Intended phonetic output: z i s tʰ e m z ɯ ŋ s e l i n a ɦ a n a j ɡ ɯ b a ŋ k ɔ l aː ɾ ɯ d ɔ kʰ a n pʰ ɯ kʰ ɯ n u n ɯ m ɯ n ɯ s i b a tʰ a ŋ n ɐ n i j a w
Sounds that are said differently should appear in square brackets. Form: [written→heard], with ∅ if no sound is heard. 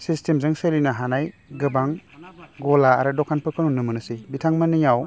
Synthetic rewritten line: [z→s] i s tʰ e m z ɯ ŋ s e l i n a ɦ a n a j ɡ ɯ b a ŋ [k→ɡ] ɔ l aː ɾ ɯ d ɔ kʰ a n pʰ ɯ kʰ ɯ n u n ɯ m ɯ n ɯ s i b [a→i] tʰ a ŋ [n→m] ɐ n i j a w